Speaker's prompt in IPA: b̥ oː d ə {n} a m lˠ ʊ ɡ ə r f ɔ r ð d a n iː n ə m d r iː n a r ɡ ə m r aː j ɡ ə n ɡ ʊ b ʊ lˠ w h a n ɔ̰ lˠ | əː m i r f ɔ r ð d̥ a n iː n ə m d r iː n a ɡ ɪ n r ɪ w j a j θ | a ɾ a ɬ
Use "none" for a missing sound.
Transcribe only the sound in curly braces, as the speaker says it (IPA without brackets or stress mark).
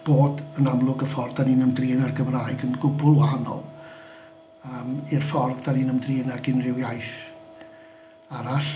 n